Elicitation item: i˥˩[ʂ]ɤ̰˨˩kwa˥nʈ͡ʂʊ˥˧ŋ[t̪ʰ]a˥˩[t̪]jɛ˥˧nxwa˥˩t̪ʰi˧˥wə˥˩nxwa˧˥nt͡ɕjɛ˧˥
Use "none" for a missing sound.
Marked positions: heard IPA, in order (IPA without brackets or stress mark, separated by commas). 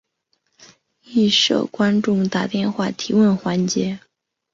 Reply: ʂ, t̪, t̪